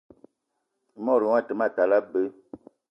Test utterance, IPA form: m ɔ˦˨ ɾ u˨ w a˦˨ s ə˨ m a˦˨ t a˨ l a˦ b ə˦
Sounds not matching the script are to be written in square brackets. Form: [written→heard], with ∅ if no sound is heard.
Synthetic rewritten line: m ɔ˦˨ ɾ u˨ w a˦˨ [s→t] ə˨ m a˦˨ t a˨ l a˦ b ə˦